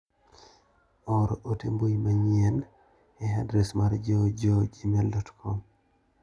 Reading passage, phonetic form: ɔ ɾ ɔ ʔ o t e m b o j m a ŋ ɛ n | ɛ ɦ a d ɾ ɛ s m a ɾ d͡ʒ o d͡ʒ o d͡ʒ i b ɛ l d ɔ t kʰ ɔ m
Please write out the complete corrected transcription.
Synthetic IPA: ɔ ɾ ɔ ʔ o t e m b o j m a ɲ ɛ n | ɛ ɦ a d ɾ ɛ s m a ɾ d͡ʒ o d͡ʒ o d͡ʒ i m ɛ l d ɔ t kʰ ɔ m